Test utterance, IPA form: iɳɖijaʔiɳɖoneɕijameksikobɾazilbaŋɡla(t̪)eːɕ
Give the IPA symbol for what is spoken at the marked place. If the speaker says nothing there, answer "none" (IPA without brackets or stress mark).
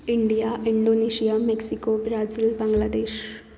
d̪